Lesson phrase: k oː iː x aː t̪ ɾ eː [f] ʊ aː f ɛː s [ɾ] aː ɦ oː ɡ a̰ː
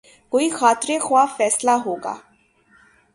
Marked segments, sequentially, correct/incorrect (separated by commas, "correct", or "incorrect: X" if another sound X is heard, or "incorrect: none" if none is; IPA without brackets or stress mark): incorrect: x, incorrect: l